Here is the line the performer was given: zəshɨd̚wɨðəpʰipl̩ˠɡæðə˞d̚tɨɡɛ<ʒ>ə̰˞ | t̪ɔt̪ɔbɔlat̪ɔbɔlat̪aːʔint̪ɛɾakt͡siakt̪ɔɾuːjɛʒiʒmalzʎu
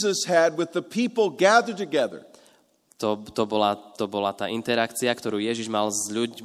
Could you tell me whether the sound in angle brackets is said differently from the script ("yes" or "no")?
yes